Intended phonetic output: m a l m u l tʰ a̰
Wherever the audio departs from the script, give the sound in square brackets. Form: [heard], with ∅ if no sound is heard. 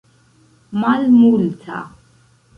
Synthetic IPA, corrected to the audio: m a l m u l tʰ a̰

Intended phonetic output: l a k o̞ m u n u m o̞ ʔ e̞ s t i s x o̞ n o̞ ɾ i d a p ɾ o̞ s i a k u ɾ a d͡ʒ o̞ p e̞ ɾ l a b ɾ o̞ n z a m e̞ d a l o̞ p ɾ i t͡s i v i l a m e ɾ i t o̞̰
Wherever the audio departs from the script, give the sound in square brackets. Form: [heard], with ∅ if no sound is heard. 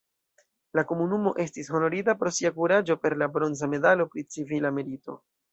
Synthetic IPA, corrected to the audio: l a k o̞ m u n u m o̞ ʔ e̞ s t i s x o̞ n o̞ ɾ i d a p ɾ o̞ s i a k u ɾ a d͡ʒ o̞ p e̞ ɾ l a b ɾ o̞ n z a m e̞ d a l o̞ p ɾ i t͡s i v i l a m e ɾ i t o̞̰

